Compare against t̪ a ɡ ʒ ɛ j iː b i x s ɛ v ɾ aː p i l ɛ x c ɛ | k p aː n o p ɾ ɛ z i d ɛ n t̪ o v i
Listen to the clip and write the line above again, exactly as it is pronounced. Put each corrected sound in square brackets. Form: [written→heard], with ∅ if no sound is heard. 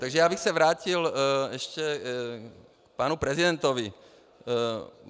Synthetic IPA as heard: t̪ a ɡ ʒ ɛ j [iː→aː] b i x s ɛ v ɾ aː [p→c] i l ɛ [x→ʃ] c ɛ | k p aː n [o→u] p ɾ ɛ z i d ɛ n t̪ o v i